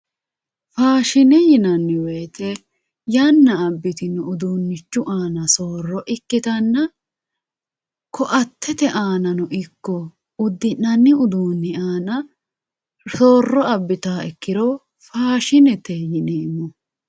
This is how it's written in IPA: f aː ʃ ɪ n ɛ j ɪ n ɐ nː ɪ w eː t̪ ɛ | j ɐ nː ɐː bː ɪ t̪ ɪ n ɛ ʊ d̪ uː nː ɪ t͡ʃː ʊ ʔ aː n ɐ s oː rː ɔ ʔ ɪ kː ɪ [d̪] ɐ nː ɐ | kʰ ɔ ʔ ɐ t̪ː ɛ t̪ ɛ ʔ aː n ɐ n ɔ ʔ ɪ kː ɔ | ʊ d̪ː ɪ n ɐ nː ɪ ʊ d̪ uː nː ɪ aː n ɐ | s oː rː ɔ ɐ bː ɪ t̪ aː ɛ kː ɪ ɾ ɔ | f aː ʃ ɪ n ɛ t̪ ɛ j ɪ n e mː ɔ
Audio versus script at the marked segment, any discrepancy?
yes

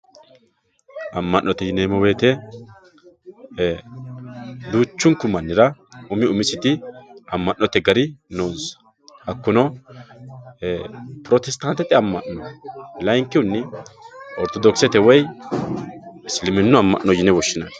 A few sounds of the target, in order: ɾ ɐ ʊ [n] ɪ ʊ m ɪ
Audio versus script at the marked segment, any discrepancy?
yes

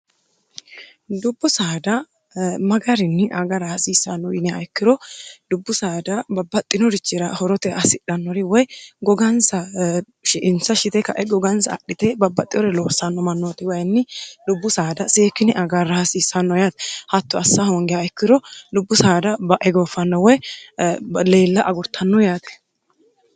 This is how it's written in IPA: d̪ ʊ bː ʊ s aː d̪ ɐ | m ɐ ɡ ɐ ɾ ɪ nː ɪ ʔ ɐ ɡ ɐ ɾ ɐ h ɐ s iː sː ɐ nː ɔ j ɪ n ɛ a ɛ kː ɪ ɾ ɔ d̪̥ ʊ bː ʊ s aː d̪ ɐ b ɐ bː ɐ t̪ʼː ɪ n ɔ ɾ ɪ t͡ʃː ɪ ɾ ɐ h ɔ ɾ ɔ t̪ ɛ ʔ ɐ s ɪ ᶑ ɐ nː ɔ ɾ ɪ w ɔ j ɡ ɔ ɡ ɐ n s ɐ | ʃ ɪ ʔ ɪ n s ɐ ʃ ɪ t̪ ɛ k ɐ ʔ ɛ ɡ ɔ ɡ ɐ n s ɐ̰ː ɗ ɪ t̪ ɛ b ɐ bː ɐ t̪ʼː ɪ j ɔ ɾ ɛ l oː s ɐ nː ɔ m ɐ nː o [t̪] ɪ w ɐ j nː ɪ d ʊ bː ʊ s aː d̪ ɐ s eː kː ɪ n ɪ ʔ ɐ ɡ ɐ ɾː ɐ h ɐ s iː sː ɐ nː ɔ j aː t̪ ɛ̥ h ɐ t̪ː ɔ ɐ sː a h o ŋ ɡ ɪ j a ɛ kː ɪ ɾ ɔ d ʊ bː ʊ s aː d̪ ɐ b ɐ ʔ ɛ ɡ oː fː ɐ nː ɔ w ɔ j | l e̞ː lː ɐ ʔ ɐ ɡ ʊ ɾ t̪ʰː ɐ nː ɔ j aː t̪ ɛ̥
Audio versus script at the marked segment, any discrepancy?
no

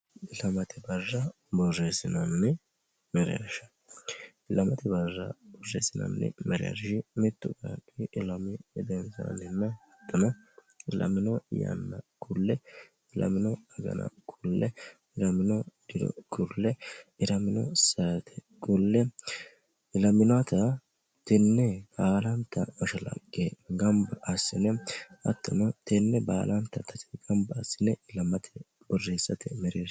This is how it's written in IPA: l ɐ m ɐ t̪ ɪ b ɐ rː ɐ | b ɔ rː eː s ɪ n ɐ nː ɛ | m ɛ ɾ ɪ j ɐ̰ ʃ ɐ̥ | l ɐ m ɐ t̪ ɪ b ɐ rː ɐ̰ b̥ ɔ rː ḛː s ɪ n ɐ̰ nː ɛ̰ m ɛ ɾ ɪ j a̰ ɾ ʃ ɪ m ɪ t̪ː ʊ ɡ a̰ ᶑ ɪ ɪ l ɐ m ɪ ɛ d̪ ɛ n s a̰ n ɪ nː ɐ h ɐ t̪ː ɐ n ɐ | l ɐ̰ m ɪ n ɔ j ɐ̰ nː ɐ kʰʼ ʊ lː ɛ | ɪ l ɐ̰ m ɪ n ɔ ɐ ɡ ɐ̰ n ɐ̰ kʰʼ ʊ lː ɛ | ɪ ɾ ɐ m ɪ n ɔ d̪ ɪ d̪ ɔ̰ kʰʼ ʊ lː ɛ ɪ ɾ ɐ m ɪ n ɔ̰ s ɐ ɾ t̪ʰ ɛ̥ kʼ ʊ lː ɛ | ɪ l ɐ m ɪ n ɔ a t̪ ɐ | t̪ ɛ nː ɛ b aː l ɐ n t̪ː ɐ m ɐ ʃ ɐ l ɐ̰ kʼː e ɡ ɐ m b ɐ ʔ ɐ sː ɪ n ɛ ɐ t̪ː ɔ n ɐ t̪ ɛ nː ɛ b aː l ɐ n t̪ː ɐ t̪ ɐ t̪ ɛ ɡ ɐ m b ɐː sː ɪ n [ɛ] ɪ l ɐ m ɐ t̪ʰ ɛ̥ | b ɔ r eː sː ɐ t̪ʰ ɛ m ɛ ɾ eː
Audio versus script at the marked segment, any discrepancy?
no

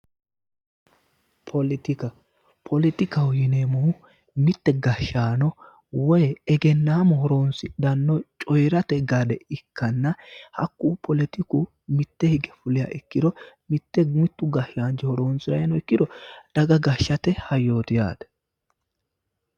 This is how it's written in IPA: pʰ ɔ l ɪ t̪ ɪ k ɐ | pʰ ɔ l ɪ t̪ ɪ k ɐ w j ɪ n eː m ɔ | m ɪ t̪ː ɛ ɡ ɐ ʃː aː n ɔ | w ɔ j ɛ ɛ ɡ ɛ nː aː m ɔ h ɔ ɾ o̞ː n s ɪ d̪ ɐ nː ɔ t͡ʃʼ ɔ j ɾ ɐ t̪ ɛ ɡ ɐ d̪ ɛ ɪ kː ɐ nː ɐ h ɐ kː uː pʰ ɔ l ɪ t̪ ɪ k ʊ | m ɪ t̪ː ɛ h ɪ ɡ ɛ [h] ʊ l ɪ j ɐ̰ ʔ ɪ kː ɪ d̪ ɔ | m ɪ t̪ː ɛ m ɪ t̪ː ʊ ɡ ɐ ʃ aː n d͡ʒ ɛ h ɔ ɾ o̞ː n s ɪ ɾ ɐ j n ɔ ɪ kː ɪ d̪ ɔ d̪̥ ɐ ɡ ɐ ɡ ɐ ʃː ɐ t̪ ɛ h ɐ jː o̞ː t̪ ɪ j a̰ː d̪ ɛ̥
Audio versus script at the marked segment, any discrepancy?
yes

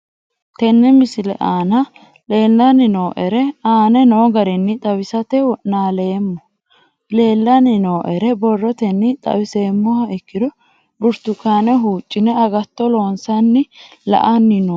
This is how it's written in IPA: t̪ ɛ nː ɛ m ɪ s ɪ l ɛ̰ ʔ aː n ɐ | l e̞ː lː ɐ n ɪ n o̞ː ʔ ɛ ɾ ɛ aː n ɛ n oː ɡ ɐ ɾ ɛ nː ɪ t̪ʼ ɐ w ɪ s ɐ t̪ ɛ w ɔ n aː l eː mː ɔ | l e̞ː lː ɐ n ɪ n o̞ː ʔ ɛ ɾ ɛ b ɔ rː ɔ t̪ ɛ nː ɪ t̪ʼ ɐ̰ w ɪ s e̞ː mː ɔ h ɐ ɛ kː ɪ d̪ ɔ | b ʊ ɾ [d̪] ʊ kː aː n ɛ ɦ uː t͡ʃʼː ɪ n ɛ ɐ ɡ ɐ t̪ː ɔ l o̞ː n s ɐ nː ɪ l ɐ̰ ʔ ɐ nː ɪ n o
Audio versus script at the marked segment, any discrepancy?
yes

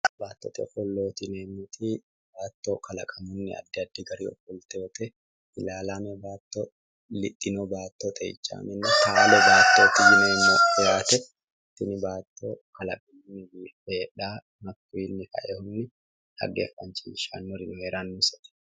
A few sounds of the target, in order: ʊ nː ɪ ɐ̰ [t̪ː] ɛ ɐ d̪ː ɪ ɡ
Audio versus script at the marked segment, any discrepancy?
yes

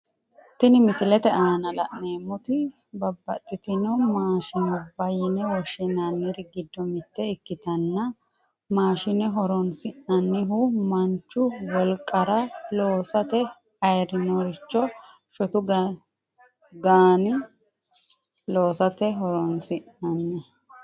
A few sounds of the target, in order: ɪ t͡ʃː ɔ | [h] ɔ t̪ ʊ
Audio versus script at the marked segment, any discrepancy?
yes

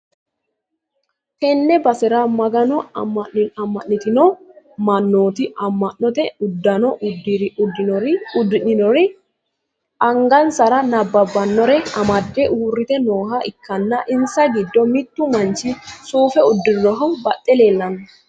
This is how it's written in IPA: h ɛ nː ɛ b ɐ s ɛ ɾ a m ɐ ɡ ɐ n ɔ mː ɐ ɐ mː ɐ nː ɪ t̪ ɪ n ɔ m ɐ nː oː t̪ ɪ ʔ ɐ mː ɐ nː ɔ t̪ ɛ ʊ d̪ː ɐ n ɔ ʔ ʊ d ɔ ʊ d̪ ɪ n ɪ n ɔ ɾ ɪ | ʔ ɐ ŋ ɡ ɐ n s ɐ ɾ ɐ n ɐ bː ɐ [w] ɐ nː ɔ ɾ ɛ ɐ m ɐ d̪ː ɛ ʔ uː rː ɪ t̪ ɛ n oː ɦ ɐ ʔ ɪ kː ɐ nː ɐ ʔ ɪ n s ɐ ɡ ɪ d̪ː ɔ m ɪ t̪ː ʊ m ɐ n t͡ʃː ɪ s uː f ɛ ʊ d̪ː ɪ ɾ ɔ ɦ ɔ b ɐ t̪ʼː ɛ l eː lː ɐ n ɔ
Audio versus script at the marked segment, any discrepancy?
yes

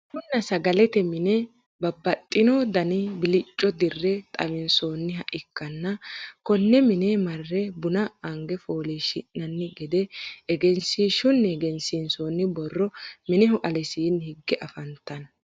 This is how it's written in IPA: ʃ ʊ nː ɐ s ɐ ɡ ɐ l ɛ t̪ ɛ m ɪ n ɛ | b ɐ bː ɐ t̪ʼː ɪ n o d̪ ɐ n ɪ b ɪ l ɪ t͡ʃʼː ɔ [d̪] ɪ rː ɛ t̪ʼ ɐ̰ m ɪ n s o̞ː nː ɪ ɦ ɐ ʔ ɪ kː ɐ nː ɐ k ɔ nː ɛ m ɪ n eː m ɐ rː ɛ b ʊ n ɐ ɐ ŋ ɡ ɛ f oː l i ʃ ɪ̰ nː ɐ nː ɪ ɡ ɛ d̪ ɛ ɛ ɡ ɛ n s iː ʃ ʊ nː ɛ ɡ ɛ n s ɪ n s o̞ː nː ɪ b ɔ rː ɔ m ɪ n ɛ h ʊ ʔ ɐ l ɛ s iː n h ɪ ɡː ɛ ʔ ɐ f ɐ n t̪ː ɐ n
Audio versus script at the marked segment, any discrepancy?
no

